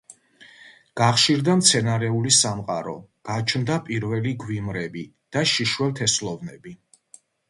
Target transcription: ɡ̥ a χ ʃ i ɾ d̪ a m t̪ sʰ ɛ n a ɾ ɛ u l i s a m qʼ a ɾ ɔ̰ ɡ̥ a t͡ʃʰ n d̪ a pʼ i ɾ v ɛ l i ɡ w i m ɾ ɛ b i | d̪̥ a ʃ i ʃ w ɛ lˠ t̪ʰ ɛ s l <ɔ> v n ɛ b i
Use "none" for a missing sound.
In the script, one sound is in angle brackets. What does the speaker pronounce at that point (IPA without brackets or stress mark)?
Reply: ɔ